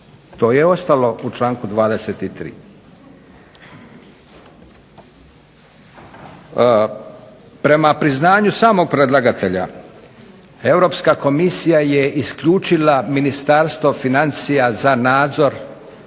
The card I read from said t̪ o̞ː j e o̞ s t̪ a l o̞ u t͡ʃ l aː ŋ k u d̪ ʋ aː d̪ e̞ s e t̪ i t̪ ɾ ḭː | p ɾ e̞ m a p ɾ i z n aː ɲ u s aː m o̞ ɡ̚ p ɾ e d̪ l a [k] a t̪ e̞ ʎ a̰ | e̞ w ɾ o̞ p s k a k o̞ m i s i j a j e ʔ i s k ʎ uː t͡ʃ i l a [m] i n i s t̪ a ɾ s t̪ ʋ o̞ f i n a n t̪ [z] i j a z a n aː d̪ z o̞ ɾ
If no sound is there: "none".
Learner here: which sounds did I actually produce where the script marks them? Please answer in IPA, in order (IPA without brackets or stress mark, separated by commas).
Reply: ɡ, m, s